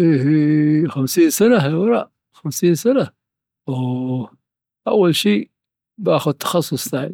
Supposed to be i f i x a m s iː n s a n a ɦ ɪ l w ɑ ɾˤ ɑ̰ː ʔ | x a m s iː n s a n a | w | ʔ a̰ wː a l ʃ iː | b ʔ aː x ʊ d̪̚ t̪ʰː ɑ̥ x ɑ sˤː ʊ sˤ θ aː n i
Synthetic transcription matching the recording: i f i x a m s iː n s a n a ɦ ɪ l w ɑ ɾˤ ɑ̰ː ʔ | x a m s iː n s a n a | w | ʔ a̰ wː a l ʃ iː | b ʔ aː x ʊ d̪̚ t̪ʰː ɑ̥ x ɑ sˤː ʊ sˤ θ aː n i